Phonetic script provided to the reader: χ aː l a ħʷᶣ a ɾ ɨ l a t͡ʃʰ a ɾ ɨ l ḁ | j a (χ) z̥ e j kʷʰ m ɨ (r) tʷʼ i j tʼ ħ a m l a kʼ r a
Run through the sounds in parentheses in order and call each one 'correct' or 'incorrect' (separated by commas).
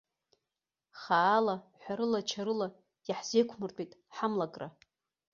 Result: incorrect, correct